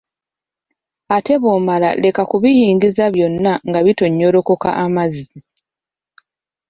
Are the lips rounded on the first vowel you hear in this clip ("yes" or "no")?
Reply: no